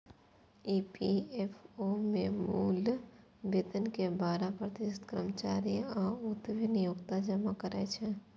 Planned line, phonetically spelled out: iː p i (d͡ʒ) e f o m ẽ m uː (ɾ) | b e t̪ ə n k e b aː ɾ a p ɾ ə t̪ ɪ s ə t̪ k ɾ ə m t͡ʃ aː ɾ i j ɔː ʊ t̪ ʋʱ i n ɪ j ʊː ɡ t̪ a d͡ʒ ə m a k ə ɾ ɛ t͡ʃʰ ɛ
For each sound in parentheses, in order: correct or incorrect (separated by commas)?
incorrect, incorrect